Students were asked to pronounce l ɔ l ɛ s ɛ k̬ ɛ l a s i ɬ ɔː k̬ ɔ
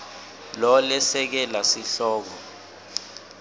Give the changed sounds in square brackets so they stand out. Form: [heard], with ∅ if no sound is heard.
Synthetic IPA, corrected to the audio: l ɔ l ɛ s ɛ k̬ ɛ l a s i ɬ ɔː k̬ ɔ